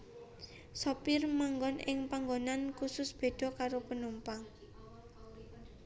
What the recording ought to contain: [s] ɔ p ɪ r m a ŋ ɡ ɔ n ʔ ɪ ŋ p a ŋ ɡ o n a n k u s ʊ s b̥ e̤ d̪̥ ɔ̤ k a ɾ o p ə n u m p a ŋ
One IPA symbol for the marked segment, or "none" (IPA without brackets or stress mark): s